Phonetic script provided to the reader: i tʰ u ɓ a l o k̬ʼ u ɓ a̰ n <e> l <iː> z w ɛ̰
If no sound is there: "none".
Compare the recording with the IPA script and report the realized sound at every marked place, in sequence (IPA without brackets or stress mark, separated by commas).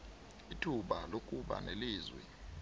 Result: e, iː